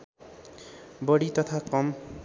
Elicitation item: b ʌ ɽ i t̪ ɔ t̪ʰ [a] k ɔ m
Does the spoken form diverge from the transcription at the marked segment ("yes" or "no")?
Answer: no